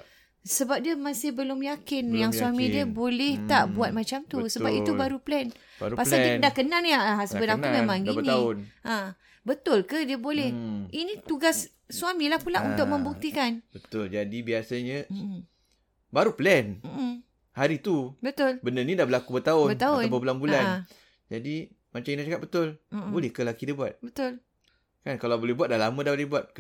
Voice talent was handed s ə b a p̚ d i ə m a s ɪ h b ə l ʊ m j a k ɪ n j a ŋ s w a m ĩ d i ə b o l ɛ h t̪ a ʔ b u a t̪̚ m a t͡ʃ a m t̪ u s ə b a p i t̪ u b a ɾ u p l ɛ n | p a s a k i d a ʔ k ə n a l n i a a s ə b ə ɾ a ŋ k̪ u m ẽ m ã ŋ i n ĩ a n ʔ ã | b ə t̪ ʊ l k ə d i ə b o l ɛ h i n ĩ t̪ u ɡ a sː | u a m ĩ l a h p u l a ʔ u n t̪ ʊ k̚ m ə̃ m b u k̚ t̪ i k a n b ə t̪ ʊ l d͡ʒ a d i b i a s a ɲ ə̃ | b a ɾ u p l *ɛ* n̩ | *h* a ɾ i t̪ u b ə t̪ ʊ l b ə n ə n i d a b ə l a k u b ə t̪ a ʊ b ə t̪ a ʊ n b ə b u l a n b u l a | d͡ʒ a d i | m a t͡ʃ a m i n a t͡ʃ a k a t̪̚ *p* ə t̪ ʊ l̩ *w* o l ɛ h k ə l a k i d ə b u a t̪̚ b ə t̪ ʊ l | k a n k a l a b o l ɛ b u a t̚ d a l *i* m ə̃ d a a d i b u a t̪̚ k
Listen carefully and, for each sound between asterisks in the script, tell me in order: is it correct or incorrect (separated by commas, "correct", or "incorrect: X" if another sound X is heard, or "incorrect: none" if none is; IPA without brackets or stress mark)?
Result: correct, correct, incorrect: b, incorrect: b, incorrect: a